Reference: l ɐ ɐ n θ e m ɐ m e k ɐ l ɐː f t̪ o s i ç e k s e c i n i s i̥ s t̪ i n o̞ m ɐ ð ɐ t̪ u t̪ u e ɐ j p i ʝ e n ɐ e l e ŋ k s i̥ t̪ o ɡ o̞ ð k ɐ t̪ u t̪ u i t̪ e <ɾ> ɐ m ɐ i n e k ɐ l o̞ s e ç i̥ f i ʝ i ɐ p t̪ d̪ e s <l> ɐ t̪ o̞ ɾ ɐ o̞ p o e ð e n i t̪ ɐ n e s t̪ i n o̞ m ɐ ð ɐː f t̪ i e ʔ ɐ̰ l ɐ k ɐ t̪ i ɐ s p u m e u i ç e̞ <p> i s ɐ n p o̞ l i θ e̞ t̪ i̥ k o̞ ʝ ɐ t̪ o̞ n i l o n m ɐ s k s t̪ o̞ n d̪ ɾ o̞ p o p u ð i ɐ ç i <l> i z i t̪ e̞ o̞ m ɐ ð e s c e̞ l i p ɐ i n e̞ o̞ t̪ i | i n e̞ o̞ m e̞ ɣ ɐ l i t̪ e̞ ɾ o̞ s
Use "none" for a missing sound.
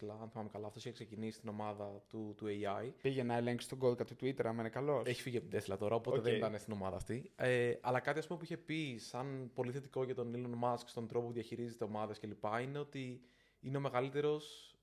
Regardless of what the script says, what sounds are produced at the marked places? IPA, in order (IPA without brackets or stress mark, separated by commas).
ɾ, l, p, ɾ